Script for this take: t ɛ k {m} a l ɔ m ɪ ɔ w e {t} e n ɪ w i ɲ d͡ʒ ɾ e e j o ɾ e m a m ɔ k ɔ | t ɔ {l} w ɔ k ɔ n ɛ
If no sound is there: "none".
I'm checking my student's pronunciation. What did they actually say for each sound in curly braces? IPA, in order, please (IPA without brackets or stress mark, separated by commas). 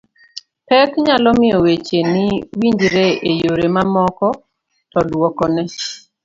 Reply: ɲ, t͡ʃ, l